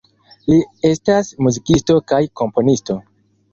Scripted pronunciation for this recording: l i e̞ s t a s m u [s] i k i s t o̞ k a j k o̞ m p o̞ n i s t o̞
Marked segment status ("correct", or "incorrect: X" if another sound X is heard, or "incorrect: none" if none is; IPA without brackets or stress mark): incorrect: z